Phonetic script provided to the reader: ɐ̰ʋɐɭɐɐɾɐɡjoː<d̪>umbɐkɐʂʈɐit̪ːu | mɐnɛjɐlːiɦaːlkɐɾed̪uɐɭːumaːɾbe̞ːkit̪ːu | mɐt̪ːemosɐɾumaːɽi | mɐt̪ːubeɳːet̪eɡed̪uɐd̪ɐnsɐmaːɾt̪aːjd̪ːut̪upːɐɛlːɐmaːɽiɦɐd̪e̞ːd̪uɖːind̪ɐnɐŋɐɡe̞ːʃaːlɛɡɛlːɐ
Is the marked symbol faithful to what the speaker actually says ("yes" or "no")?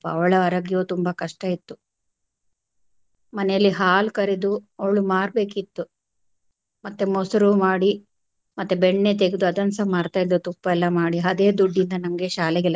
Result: no